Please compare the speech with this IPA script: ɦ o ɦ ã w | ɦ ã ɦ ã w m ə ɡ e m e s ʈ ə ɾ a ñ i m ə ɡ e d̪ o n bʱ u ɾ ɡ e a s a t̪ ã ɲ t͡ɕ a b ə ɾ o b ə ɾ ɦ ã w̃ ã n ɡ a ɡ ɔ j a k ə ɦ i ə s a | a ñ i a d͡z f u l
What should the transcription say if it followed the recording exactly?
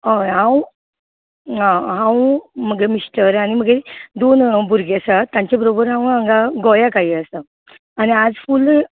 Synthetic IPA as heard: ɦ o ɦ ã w | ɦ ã ɦ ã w m ə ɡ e m i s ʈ ə ɾ a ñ i m ə ɡ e d̪ o n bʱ u ɾ ɡ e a s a t̪ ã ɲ t͡ɕ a b ə ɾ o b ə ɾ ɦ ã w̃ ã ŋ ɡ a ɡ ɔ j a k a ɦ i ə s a | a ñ i a d͡z f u l